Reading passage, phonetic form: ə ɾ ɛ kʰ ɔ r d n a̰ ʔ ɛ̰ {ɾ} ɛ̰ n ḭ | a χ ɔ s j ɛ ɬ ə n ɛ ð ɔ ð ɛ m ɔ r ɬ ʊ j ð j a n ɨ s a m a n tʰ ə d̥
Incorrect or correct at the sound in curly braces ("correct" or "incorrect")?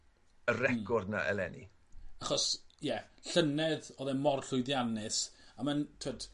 incorrect